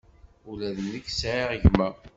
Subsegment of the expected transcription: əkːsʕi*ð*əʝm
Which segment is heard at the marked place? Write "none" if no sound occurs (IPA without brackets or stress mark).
ʁ